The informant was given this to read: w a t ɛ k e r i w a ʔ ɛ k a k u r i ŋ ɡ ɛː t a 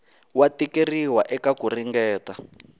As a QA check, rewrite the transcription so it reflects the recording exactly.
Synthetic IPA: w a t i k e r i w a ʔ ɛ k a k u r i ŋ ɡ ɛː t a